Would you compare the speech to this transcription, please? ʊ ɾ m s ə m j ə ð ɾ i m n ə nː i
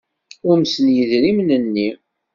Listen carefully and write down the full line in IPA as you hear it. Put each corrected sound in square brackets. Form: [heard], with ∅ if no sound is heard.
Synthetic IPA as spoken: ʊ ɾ m s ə [n] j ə ð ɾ i m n ə nː i